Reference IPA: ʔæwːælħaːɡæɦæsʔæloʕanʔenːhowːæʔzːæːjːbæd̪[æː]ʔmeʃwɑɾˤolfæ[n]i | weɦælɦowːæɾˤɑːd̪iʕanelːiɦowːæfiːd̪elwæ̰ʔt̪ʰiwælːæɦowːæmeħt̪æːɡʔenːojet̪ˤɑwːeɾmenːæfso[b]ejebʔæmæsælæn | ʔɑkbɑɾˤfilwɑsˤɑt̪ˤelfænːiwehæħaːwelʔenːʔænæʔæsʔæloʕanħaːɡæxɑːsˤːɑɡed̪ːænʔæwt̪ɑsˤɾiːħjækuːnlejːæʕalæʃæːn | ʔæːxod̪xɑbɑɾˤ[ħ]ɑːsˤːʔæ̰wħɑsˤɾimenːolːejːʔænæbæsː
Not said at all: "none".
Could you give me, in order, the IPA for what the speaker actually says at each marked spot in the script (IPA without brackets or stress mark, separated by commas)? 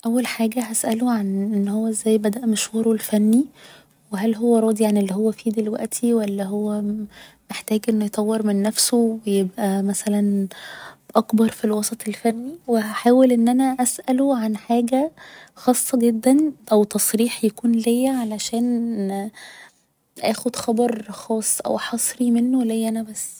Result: æ, nː, w, x